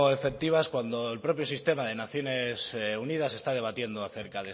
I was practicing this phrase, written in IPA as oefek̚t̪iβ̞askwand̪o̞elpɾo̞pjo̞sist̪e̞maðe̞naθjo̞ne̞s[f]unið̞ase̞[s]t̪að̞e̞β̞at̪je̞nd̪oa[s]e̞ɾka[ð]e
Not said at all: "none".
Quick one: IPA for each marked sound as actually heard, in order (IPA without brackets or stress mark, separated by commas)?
s, s, θ, ð